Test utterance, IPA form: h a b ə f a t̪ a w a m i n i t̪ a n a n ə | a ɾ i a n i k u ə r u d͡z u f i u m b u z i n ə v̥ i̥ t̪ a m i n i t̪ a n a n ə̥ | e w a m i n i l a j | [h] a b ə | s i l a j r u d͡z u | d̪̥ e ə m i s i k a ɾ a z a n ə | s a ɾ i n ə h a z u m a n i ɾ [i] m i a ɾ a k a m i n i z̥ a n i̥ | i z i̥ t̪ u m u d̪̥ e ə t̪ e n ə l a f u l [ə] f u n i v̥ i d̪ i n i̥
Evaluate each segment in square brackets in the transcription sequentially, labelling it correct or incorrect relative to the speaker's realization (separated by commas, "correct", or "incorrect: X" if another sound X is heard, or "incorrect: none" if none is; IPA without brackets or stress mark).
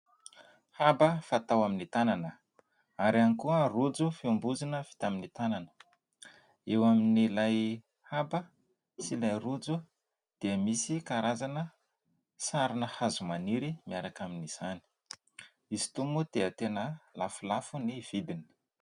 correct, correct, incorrect: a